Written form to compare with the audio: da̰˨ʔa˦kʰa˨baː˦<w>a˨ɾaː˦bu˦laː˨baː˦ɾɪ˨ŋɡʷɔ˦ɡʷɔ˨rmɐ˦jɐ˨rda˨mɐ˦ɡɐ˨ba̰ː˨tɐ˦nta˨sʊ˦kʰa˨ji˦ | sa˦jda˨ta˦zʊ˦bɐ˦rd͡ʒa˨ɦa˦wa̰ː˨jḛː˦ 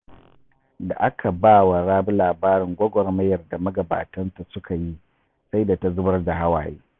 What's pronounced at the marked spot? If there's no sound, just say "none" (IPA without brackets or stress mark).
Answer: w